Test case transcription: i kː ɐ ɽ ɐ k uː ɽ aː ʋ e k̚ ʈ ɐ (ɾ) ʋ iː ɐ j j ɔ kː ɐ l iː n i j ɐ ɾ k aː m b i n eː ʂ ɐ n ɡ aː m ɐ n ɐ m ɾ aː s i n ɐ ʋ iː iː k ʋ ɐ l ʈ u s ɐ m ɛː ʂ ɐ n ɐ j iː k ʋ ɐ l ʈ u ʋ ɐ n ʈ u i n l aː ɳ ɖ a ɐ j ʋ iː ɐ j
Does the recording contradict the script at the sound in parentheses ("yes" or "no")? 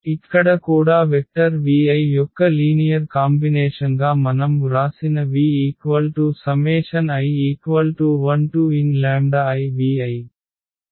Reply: no